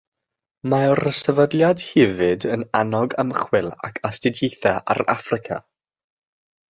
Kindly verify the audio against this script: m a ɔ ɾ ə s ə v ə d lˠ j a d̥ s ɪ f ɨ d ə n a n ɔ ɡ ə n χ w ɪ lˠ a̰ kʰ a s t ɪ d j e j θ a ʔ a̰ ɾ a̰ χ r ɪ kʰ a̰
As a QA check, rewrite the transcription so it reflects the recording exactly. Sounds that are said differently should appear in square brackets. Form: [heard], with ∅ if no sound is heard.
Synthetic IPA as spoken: m a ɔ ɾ ə s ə v ə d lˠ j a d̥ [h] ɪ [v] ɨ d ə n a n ɔ ɡ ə [m] χ w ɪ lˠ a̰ kʰ a s t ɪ d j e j θ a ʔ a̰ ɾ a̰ [f] r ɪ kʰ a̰